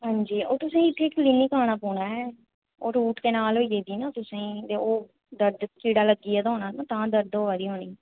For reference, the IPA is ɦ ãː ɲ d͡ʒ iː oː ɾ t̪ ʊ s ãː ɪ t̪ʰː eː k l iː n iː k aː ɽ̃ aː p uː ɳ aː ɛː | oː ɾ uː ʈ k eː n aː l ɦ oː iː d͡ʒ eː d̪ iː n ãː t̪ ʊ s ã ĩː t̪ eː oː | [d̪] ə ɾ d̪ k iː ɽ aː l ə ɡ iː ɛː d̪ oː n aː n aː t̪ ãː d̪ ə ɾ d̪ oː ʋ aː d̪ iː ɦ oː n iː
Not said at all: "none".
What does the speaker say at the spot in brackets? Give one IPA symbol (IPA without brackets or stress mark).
d̪